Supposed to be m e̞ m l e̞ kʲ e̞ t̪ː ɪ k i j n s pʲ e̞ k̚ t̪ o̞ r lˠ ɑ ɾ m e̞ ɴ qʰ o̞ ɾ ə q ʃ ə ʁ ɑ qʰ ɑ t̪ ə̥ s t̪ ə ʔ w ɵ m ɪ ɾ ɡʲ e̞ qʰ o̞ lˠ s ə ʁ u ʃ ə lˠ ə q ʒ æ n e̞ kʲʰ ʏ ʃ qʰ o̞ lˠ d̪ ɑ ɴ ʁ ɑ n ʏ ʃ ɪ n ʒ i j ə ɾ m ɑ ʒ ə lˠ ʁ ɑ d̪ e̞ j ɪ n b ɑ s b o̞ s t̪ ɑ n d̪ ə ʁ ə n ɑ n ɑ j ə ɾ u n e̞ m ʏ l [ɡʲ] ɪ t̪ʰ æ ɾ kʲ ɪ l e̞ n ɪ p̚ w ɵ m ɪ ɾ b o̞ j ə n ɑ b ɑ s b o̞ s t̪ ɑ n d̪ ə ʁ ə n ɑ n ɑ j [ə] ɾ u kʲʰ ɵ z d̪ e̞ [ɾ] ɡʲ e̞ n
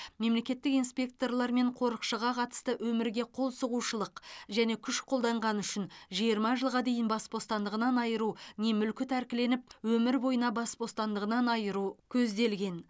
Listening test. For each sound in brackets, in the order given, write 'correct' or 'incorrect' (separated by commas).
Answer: incorrect, correct, incorrect